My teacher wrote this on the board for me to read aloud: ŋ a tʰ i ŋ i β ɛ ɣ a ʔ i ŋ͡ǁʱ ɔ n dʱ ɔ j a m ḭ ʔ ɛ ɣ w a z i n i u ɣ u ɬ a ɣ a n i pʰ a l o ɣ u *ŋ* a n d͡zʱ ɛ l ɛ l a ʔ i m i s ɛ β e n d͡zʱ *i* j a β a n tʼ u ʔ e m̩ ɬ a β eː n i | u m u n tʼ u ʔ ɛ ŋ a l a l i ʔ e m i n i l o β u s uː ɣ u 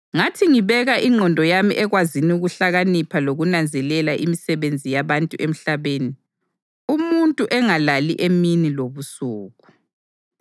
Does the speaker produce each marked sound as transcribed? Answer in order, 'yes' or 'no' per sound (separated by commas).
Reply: no, yes